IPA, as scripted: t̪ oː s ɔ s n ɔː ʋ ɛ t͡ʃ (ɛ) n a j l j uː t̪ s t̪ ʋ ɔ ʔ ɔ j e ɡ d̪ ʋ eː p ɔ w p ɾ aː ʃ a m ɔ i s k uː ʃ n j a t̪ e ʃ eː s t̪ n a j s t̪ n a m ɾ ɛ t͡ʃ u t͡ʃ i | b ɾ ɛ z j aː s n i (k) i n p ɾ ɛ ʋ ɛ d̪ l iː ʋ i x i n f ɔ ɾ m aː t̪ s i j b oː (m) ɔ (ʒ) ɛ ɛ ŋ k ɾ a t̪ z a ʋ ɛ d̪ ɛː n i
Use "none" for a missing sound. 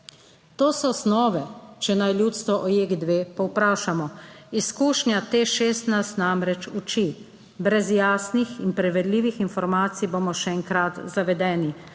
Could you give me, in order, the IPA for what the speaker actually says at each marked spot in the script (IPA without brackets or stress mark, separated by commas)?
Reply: ɛ, x, m, ʃ